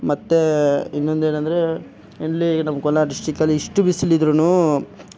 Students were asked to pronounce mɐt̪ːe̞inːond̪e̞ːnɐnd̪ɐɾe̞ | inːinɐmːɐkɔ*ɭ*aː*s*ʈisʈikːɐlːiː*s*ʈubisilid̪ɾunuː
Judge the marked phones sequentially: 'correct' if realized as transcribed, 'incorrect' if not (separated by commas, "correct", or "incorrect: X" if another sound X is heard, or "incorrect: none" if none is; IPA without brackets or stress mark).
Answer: incorrect: l, incorrect: none, incorrect: ʂ